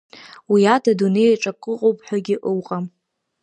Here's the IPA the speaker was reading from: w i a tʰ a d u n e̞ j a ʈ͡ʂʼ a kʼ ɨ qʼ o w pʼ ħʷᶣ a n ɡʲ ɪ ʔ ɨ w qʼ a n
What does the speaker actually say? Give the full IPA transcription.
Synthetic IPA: w i a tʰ a d u n e̞ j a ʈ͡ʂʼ a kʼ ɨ qʼ o w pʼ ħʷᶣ a ɡʲ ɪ ʔ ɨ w qʼ a m

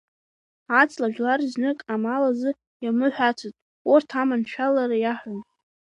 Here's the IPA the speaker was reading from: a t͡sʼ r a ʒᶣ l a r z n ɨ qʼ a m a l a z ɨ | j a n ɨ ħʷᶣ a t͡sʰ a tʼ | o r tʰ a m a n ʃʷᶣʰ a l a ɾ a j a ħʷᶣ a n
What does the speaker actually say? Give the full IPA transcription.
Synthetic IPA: a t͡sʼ l a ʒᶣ l a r z n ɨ kʼ a m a l a z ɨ | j a m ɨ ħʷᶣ a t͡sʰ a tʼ | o r tʰ a m a n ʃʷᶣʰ a l a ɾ a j a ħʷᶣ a n

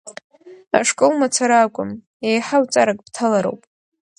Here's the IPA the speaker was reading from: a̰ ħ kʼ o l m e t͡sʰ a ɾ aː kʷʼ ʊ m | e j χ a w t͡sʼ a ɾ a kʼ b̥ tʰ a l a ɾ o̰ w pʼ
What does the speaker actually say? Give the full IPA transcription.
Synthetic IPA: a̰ ʂ kʼ o l m a t͡sʰ a ɾ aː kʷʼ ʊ m | e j ħ a w t͡sʼ a ɾ a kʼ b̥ tʰ a l a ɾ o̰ w pʼ

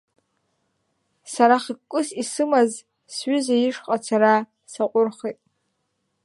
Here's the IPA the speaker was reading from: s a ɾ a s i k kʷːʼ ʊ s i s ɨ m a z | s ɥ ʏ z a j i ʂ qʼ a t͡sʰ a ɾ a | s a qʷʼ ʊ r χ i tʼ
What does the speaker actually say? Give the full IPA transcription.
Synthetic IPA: s a ɾ a χ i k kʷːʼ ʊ s i s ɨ m a z | s ɥ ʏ z a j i ʂ qʼ a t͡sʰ a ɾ a | s a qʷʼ ʊ r χ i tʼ

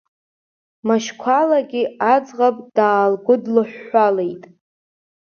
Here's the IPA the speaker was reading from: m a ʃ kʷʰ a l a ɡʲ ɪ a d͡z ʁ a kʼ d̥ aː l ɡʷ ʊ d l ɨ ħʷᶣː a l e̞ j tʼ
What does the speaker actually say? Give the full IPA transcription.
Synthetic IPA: m a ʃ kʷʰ a l a ɡʲ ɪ a d͡z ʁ a pʼ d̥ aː l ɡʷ ʊ d l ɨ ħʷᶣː a l e̞ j tʼ

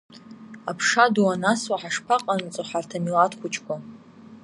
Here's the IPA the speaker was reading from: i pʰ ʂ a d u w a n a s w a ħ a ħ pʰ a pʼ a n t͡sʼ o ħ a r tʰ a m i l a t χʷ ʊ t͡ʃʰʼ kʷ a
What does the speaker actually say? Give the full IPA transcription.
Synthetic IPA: a pʰ ʂ a d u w a n a s w a ħ a ʂ pʰ a qʼ a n t͡sʼ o ħ a r tʰ a m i l a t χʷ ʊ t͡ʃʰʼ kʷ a

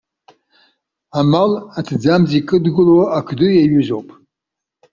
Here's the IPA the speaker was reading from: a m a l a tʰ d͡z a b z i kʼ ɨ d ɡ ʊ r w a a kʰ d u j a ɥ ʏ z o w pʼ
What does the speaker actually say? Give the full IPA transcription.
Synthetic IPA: a m a l a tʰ d͡z a m z i kʼ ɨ d ɡ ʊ l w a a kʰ d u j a ɥ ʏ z o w pʼ

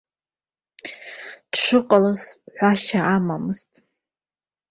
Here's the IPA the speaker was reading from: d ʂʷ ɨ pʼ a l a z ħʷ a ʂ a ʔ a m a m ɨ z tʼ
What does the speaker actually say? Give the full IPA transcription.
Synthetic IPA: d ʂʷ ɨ qʼ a l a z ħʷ a ʃ a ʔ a m a m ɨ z tʼ

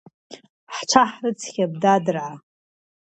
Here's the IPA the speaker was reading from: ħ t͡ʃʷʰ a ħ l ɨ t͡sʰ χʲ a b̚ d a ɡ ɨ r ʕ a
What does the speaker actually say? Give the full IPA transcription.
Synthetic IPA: ħ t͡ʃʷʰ a ħ r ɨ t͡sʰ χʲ a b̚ d a d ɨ r ʕ a

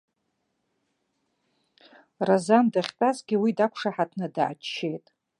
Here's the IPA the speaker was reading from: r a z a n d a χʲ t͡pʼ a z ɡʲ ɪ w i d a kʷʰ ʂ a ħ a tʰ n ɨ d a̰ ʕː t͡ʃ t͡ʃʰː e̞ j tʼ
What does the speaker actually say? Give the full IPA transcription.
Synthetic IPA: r a z a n d a χʲ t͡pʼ a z ɡʲ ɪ w i d a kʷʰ ʂ a ħ a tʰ n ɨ d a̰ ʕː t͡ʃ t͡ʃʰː e̞ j tʼ

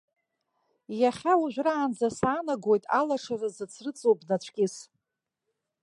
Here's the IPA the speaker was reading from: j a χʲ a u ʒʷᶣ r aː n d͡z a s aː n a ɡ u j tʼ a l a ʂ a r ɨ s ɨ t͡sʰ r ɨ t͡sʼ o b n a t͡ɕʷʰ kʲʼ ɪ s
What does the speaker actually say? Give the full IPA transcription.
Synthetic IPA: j a χʲ a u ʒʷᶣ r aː n d͡z a s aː n a ɡ o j tʼ a l a ʂ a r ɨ z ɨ t͡sʰ r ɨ t͡sʼ o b n a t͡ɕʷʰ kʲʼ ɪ s

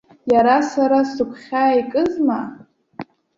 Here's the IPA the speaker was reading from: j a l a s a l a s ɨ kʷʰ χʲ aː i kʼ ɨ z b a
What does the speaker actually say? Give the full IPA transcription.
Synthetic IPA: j a ɾ a s a ɾ a s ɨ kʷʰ χʲ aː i kʼ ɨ z m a

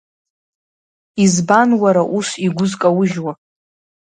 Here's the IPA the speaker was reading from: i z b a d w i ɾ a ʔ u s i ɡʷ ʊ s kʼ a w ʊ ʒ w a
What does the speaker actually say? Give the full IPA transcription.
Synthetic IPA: i z b a n w a ɾ a ʔ u s i ɡʷ ʊ z kʼ a w ʊ ʒ w a

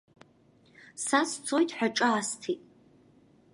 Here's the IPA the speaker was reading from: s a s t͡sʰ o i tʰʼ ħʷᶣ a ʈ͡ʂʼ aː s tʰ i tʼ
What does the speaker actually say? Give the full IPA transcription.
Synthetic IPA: s a s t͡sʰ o j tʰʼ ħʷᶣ a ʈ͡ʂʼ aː s tʰ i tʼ

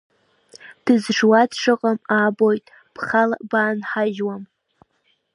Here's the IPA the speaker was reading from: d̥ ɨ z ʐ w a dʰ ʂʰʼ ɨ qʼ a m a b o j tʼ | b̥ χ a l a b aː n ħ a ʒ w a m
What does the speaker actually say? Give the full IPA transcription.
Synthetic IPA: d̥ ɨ z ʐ w a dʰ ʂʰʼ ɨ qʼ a m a b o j tʼ | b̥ χ a l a b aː n ħ a ʒ w a m

